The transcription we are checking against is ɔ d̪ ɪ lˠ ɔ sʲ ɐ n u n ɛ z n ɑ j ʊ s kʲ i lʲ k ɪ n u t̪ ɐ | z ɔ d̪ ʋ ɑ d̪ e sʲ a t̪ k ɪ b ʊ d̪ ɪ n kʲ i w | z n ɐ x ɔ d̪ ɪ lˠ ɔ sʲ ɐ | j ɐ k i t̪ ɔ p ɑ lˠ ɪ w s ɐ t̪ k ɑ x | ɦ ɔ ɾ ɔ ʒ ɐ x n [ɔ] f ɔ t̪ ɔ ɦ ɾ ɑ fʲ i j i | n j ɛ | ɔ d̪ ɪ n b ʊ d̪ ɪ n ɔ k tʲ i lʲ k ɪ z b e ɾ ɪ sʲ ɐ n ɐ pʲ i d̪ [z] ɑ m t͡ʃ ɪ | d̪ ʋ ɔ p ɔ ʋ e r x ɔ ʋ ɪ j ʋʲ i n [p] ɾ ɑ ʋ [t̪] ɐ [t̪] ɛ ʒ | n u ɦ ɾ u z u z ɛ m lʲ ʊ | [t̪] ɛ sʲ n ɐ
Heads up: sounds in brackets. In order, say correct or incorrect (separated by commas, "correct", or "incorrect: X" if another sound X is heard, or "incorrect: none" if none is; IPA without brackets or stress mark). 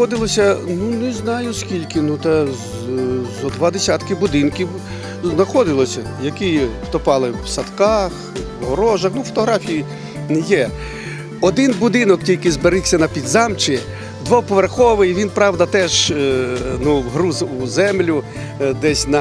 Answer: incorrect: u, correct, correct, incorrect: d̪, correct, incorrect: d̪